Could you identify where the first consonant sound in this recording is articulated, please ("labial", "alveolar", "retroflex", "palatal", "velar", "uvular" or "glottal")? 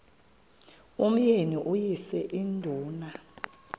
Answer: labial